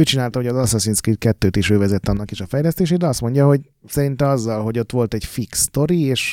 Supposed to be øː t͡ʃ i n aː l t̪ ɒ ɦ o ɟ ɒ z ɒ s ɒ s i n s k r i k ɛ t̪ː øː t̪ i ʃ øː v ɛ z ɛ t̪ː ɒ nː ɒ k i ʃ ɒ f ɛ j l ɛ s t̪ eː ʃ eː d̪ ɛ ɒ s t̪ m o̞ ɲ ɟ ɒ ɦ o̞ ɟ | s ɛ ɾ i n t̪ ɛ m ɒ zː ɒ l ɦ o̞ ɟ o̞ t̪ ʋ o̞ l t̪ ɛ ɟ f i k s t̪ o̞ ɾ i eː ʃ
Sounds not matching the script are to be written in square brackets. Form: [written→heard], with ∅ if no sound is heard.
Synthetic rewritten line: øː t͡ʃ i n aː l t̪ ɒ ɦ o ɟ ɒ z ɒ s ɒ s i n s k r i k ɛ t̪ː øː t̪ i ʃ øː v ɛ z ɛ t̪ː ɒ nː ɒ k i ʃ ɒ f ɛ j l ɛ s t̪ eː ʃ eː d̪ ɛ ɒ s t̪ m o̞ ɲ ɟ ɒ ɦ o̞ ɟ | s ɛ ɾ i n t̪ ɛ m ɒ zː ɒ l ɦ o̞ ɟ o̞ t̪ ʋ o̞ l t̪ ɛ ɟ f i k s t̪ o̞ ɾ i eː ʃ